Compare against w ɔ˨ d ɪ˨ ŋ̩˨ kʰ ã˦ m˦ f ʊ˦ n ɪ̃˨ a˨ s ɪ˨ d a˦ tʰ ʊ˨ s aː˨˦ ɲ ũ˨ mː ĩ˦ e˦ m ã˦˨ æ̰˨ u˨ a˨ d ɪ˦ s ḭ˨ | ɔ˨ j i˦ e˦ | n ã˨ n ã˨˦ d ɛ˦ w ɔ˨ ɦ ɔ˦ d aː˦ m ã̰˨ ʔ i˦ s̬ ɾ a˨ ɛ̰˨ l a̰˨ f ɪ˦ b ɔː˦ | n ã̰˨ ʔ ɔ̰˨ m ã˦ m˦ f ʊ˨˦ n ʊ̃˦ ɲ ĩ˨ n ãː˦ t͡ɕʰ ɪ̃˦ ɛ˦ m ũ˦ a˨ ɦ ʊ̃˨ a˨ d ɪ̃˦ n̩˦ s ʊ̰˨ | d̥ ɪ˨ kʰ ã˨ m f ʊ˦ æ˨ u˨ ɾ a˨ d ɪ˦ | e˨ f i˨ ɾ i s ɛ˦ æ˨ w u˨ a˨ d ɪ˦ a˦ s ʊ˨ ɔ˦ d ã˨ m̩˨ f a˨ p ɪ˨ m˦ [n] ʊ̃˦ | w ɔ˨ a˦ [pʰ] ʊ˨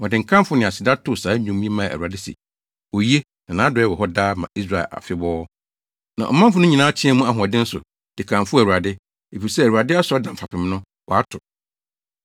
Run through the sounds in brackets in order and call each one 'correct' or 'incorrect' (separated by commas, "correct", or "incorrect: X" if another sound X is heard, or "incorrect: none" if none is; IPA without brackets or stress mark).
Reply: correct, incorrect: tʰ